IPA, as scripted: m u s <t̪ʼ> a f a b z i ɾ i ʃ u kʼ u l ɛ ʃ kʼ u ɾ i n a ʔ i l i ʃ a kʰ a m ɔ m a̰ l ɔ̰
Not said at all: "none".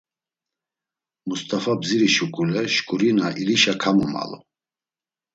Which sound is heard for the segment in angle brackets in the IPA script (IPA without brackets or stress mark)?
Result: t̪ʼ